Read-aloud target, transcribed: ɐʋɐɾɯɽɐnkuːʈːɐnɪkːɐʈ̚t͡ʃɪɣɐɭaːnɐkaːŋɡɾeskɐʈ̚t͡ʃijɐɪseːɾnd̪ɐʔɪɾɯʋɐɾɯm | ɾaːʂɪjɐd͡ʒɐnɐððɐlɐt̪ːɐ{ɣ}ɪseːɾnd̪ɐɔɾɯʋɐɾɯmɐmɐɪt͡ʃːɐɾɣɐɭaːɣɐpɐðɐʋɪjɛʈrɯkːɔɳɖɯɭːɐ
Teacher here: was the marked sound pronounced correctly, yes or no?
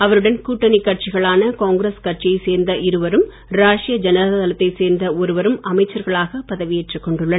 no